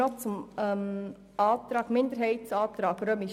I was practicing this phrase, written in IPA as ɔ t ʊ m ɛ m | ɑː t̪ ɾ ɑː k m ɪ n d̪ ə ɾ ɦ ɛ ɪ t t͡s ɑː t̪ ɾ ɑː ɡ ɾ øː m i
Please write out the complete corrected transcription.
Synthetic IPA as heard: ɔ t͡s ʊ m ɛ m | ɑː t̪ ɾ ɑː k m ɪ n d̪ ə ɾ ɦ ɛ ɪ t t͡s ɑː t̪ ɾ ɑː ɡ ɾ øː m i